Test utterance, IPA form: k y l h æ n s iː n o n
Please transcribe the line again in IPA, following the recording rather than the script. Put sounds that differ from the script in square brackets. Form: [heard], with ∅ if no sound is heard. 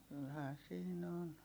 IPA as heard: k y l h [æː] n s iː n o n